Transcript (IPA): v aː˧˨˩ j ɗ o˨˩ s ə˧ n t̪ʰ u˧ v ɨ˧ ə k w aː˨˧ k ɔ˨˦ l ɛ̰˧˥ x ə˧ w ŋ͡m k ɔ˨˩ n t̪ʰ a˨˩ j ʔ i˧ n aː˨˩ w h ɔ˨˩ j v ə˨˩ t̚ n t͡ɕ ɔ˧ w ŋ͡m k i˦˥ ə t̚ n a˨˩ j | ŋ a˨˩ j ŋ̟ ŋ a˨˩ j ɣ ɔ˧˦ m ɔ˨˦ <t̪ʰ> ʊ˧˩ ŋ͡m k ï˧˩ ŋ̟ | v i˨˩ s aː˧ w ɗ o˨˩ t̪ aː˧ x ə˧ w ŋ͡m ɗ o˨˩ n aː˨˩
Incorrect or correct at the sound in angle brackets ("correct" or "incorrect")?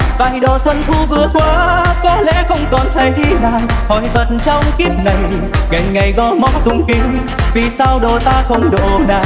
incorrect